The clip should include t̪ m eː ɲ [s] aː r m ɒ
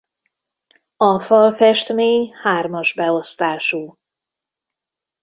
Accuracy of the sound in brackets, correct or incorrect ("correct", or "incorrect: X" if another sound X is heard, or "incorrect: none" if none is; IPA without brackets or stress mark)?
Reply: incorrect: h